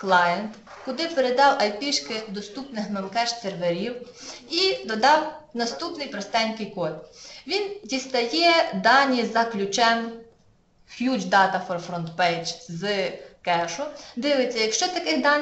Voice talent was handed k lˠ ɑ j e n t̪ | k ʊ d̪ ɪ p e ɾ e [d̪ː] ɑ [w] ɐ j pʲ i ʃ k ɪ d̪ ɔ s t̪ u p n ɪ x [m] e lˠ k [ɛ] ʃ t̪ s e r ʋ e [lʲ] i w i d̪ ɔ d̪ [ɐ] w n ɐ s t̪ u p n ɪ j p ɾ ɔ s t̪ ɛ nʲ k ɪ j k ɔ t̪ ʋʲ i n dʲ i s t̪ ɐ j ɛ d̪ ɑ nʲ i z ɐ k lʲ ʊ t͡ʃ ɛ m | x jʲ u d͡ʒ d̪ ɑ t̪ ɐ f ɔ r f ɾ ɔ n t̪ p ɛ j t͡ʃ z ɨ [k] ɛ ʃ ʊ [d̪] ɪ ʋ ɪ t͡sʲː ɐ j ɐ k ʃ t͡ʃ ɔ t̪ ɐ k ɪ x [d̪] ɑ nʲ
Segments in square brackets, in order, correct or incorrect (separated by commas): incorrect, correct, correct, correct, incorrect, incorrect, correct, correct, correct